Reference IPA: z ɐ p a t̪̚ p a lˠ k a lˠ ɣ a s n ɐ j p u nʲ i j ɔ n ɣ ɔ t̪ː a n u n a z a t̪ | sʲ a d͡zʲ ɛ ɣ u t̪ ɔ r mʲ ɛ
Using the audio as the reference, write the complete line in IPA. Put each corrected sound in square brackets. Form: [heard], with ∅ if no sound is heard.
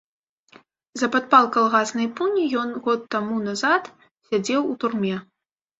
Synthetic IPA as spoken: z ɐ p a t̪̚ p a lˠ k a lˠ ɣ a s n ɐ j p u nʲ i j ɔ n ɣ ɔ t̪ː a [m] u n a z a t̪ | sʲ a d͡zʲ ɛ [w] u t̪ [u] r mʲ ɛ